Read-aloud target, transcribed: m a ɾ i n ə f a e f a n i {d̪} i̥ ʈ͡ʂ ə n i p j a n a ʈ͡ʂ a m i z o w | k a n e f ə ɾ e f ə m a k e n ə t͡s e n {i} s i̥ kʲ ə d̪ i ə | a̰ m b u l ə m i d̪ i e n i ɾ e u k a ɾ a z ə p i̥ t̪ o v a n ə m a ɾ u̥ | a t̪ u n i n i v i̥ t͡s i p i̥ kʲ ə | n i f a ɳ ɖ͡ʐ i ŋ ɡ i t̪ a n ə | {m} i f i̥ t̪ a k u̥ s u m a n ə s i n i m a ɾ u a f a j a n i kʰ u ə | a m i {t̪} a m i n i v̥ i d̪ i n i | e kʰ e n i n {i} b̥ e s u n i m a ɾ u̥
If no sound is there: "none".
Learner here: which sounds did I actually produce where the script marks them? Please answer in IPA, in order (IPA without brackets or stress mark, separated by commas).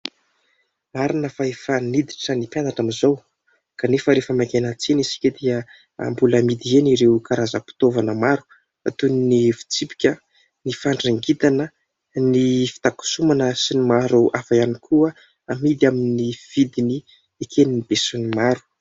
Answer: d̪, i, n, d̪, i